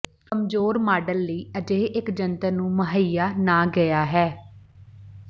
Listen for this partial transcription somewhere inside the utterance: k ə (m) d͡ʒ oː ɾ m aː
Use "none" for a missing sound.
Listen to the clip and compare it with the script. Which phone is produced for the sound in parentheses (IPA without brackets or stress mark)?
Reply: m